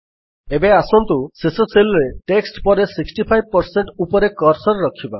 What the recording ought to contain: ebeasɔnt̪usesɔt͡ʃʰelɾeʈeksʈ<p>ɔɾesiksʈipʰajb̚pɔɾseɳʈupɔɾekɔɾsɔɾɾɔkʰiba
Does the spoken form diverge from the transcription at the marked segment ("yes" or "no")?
no